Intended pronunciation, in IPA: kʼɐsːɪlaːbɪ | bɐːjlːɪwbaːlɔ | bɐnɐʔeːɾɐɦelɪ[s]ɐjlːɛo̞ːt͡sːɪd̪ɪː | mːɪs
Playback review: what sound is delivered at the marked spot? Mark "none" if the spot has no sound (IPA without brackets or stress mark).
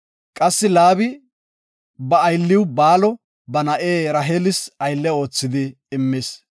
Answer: s